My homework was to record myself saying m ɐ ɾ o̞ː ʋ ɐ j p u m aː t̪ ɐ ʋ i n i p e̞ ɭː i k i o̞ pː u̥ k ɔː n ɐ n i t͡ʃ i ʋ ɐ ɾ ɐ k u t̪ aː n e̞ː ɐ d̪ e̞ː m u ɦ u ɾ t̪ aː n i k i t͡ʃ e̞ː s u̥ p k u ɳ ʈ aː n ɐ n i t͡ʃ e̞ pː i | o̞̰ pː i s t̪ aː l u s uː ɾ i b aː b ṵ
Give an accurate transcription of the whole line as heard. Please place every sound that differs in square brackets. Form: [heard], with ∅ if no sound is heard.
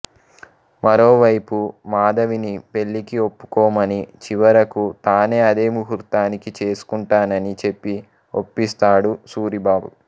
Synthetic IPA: m ɐ ɾ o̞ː ʋ ɐ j p u m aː [d̪] ɐ ʋ i n i p e̞ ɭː i k i o̞ pː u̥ k ɔː [m] ɐ n i t͡ʃ i ʋ ɐ ɾ ɐ k u t̪ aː n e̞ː ɐ d̪ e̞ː m u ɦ u ɾ t̪ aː n i k i t͡ʃ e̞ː s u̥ [∅] k u ɳ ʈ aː n ɐ n i t͡ʃ e̞ pː i | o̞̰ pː i s t̪ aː [ɽ] u s uː ɾ i b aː b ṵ